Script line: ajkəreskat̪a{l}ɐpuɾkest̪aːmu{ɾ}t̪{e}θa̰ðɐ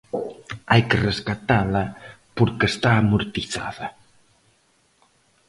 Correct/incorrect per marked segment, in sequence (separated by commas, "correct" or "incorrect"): correct, correct, incorrect